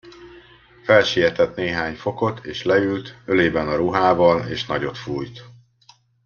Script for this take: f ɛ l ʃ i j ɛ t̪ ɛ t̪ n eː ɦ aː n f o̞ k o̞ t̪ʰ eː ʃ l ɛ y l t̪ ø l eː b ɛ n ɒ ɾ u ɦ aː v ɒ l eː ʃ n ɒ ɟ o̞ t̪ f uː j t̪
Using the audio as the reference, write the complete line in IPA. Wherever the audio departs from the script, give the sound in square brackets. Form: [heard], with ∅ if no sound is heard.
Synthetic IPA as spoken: f ɛ l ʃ i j ɛ t̪ ɛ t̪ n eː ɦ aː [ɲ] f o̞ k o̞ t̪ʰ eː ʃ l ɛ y l t̪ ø l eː b ɛ n ɒ ɾ u ɦ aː v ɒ l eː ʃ n ɒ ɟ o̞ t̪ f uː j t̪